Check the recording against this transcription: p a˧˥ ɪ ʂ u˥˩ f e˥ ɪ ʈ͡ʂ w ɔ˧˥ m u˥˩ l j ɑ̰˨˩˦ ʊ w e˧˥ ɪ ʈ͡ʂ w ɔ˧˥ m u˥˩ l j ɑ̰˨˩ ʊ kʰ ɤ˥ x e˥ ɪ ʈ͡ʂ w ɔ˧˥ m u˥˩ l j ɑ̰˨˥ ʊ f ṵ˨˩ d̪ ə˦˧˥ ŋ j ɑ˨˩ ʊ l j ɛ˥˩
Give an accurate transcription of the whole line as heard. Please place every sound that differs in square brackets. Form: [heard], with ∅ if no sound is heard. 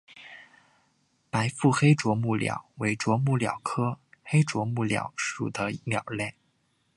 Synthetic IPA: p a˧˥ ɪ [f] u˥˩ [x] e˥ ɪ ʈ͡ʂ w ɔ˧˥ m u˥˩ l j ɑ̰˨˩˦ ʊ w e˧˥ ɪ ʈ͡ʂ w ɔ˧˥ m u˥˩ l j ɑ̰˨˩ ʊ kʰ ɤ˥ x e˥ ɪ ʈ͡ʂ w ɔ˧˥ m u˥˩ l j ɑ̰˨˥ ʊ [ʂ] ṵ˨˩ d̪ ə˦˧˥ [m] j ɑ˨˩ ʊ l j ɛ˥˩